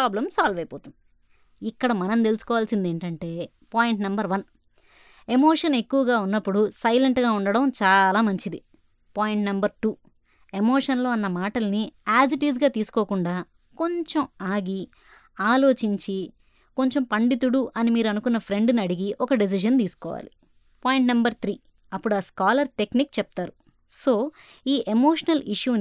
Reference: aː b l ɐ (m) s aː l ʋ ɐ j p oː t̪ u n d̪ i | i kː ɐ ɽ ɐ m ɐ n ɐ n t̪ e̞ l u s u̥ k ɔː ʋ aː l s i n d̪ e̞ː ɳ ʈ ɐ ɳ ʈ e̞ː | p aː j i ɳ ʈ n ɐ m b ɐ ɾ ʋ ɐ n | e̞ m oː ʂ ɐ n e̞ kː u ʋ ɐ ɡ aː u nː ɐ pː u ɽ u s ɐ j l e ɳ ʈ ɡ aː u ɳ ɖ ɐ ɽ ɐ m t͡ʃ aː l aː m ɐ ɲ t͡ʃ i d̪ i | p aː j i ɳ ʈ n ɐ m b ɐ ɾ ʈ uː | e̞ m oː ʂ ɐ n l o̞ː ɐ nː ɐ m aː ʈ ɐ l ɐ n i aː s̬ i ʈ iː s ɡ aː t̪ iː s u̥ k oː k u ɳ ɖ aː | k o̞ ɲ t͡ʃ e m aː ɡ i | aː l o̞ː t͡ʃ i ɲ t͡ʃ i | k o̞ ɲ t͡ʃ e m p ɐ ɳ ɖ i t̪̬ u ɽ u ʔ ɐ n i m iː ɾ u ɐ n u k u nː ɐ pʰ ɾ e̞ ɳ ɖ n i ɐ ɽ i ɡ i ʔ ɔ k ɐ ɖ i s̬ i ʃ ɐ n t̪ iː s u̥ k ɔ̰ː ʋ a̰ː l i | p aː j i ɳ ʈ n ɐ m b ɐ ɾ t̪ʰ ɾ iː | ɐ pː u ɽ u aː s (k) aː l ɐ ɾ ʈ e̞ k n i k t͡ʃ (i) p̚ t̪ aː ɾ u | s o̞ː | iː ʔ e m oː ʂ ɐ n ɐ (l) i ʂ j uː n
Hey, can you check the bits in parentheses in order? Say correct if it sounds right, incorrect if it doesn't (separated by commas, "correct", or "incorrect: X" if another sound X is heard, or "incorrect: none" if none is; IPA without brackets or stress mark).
correct, correct, incorrect: ɛ, correct